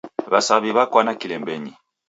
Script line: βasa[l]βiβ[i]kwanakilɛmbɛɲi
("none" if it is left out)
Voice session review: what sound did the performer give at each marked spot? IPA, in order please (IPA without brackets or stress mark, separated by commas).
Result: none, a